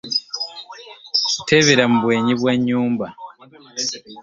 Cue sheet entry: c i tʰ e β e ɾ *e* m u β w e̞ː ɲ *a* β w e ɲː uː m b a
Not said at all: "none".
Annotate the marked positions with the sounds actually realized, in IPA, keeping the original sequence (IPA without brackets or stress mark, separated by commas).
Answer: a, i